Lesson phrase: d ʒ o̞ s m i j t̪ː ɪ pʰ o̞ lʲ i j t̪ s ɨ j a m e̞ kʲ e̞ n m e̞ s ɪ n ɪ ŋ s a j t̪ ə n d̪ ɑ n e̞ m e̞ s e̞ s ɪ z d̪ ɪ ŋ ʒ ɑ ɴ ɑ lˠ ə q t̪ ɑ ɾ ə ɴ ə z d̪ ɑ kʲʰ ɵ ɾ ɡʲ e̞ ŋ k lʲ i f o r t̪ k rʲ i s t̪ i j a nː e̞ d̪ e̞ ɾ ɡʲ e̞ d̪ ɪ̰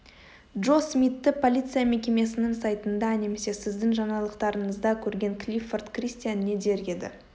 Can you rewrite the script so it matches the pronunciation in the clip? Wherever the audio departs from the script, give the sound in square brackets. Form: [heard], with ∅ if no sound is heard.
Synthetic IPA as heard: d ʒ o̞ s m i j t̪ː ɪ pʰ o̞ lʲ i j t̪ s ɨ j a m e̞ kʲ e̞ [∅] m e̞ s ɪ n ɪ ŋ s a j t̪ ə n d̪ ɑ n e̞ m e̞ s e̞ s ɪ z d̪ ɪ ŋ ʒ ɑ ɴ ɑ lˠ ə q t̪ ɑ ɾ ə ɴ ə z d̪ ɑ kʲʰ ɵ ɾ ɡʲ e̞ ŋ k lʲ i f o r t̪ k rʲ i s t̪ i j a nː e̞ d̪ e̞ ɾ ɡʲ e̞ d̪ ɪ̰

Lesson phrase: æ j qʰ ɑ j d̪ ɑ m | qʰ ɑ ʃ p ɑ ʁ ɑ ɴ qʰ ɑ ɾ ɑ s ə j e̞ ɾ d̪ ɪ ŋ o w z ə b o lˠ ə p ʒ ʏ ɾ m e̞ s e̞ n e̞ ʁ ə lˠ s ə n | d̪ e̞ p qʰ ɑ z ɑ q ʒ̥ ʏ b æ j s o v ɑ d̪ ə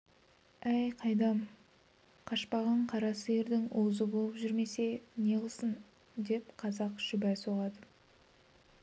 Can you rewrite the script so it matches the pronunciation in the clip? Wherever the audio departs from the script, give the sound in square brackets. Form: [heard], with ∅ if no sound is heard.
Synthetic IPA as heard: æ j qʰ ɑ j d̪ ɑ m | qʰ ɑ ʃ p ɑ ʁ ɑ ɴ qʰ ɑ ɾ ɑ s ə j e̞ ɾ d̪ ɪ ŋ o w z ə b o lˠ ə p ʒ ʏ ɾ m e̞ s e̞ n e̞ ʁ ə lˠ s ə n | d̪ e̞ p qʰ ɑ z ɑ q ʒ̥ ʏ b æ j s o [ʁ] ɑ d̪ ə

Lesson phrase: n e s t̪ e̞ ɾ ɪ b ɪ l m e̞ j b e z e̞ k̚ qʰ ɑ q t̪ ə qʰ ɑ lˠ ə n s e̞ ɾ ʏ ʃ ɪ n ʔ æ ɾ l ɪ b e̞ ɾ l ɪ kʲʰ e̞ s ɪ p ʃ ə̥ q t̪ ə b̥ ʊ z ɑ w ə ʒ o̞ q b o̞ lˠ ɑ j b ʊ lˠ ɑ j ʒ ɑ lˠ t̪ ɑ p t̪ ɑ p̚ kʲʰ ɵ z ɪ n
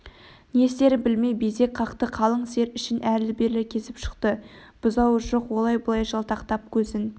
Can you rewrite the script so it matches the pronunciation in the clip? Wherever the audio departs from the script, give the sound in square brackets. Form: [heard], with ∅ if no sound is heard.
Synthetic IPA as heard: n e s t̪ e̞ ɾ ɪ b ɪ l m e̞ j b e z e̞ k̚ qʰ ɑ q t̪ ə qʰ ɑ lˠ ə [ɴ] s e̞ ɾ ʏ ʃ ɪ n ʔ æ ɾ l ɪ b e̞ ɾ l ɪ kʲʰ e̞ s ɪ p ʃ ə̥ q t̪ ə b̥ ʊ z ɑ w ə ʒ o̞ q [w] o̞ lˠ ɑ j b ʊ lˠ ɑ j ʒ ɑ lˠ t̪ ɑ [q] t̪ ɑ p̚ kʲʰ ɵ z ɪ n

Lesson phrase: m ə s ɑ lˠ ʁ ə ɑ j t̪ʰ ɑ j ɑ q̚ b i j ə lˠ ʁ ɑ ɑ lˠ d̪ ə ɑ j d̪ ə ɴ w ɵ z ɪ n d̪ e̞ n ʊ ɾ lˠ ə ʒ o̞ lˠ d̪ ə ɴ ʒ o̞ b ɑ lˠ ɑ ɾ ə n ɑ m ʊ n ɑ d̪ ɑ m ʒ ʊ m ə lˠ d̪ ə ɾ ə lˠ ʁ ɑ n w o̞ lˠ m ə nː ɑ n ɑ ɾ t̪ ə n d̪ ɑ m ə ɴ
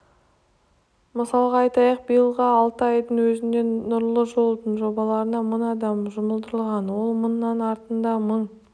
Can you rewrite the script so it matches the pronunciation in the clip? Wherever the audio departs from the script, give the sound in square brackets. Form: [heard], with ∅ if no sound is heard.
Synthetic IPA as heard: m ə s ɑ lˠ ʁ [ɑ] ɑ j [t̪] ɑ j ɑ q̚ b i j ə lˠ ʁ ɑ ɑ lˠ [t̪] ə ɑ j d̪ ə ɴ w ɵ z ɪ n d̪ e̞ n ʊ ɾ lˠ ə ʒ o̞ lˠ d̪ ə ɴ ʒ o̞ b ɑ lˠ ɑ ɾ ə n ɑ m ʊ n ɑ d̪ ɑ m ʒ ʊ m ə lˠ d̪ ə ɾ ə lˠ ʁ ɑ n w o̞ lˠ m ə nː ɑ n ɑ ɾ t̪ ə n d̪ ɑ m ə ɴ

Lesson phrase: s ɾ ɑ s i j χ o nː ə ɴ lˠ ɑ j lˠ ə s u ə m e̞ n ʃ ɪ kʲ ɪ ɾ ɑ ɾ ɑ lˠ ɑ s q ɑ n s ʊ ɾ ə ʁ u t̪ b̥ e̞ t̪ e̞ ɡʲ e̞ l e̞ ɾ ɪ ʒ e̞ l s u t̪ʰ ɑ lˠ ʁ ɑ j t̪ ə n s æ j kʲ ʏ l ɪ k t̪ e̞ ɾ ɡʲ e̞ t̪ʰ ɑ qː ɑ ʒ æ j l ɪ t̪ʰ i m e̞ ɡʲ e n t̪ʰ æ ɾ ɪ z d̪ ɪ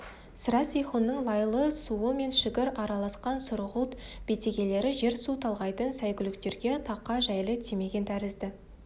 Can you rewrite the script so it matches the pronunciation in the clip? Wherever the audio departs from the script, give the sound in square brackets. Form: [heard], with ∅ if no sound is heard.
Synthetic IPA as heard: s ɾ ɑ s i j χ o nː ə ɴ lˠ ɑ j lˠ ə s u ə m e̞ n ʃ ɪ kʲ ɪ ɾ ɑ ɾ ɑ lˠ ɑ s q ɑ n s ʊ ɾ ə ʁ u t̪ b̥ e̞ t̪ e̞ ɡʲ e̞ l e̞ ɾ ɪ ʒ e̞ [ɾ] s u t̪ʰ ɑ lˠ ʁ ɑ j t̪ ə n s æ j kʲ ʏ l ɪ k t̪ e̞ ɾ ɡʲ e̞ t̪ʰ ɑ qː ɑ ʒ æ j l ɪ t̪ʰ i m e̞ ɡʲ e n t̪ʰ æ ɾ ɪ z d̪ ɪ

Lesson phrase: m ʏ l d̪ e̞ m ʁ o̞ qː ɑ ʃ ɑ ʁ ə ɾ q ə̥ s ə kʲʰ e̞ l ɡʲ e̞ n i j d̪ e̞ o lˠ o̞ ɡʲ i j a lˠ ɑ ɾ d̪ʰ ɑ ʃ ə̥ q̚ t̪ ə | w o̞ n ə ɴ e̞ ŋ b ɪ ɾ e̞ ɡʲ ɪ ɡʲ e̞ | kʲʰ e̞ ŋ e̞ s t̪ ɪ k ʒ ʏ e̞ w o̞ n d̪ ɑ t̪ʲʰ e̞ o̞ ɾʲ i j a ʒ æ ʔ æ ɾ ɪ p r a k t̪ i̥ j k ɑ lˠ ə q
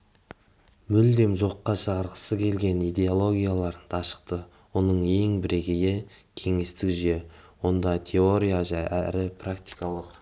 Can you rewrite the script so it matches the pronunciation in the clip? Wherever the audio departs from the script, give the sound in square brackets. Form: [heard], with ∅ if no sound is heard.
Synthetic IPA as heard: m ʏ l d̪ e̞ m [ʒ] o̞ qː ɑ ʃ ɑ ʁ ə ɾ q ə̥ s ə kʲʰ e̞ l ɡʲ e̞ n i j d̪ e̞ o lˠ o̞ ɡʲ i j a lˠ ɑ ɾ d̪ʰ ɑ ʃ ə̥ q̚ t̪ ə | w o̞ n ə ɴ e̞ ŋ b ɪ ɾ e̞ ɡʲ ɪ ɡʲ e̞ | kʲʰ e̞ ŋ e̞ s t̪ ɪ k ʒ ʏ e̞ w o̞ n d̪ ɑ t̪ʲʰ e̞ o̞ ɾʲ i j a ʒ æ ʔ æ ɾ ɪ p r a k t̪ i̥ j k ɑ lˠ ə q

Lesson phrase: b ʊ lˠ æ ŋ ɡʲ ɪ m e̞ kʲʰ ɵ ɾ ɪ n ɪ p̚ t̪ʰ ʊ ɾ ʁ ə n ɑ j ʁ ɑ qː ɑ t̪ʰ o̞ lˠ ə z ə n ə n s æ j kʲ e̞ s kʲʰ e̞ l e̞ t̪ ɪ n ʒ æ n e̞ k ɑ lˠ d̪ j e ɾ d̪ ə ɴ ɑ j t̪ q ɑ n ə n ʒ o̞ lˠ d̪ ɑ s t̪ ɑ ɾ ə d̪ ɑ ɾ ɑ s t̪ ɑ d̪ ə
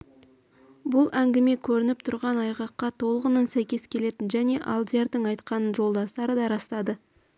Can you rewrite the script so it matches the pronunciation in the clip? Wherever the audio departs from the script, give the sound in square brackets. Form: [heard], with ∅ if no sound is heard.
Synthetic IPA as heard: b ʊ lˠ æ ŋ ɡʲ ɪ m e̞ kʲʰ ɵ ɾ ɪ n ɪ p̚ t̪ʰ ʊ ɾ ʁ [ɑ] n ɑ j ʁ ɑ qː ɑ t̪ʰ o̞ lˠ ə [ʁ] ə n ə n s æ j kʲ e̞ s kʲʰ e̞ l e̞ t̪ ɪ n ʒ æ n e̞ [ʔ] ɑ lˠ d̪ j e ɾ d̪ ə ɴ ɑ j t̪ q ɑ n ə n ʒ o̞ lˠ d̪ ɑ s t̪ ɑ ɾ ə d̪ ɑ ɾ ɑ s t̪ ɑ d̪ ə

